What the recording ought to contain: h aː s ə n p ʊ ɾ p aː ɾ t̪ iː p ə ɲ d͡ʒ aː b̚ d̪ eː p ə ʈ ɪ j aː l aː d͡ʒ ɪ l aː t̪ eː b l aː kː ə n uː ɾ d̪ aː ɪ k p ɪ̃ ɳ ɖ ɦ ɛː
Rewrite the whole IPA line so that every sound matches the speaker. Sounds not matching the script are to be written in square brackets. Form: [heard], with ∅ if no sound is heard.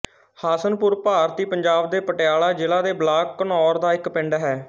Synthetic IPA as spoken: h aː s ə n p ʊ ɾ p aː ɾ t̪ iː p ə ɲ d͡ʒ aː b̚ d̪ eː p ə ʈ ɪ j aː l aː d͡ʒ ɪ l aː [d̪] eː b l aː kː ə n [ɔː] ɾ d̪ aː ɪ k p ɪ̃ ɳ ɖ ɦ ɛː